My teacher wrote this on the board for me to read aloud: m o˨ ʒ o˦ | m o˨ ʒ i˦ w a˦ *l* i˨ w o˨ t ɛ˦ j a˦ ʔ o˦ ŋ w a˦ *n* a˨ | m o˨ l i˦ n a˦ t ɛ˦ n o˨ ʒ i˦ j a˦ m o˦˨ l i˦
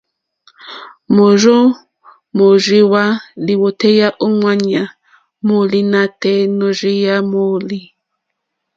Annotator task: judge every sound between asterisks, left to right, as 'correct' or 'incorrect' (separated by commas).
correct, incorrect